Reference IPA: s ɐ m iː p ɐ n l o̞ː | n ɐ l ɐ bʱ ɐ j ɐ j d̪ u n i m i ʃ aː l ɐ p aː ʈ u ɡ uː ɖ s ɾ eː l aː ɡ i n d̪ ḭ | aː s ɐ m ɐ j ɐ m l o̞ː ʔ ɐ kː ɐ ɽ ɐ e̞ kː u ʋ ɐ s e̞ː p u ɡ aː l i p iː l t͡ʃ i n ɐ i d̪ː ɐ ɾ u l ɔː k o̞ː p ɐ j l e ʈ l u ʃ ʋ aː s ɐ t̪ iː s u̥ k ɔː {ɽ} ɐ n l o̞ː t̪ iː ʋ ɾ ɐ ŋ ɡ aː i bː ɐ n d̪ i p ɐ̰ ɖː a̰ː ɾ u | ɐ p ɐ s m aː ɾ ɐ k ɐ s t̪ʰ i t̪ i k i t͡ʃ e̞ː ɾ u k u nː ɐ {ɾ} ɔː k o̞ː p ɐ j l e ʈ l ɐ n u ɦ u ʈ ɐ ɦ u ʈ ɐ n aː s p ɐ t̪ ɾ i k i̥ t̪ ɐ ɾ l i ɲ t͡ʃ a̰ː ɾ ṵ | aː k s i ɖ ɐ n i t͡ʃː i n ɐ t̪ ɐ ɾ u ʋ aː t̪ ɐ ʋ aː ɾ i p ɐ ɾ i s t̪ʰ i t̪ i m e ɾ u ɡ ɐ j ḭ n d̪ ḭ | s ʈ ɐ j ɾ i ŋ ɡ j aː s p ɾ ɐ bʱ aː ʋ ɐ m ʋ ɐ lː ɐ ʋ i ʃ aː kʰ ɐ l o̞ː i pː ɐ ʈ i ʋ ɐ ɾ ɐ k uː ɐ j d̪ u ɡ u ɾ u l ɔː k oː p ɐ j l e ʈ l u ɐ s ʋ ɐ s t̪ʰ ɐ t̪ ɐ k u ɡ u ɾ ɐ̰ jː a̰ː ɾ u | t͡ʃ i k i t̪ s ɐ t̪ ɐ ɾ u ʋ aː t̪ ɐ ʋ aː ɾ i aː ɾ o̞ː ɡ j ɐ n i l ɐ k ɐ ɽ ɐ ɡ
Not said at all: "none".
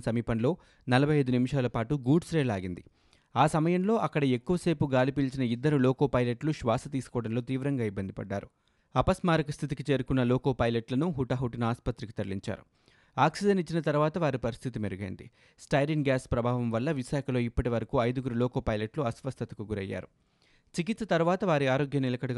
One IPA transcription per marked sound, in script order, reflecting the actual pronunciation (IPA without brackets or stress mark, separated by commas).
ɽ, l